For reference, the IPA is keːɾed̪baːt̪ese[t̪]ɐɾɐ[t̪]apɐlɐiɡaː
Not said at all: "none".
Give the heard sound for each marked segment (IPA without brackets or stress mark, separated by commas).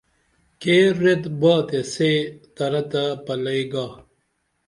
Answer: t̪, t̪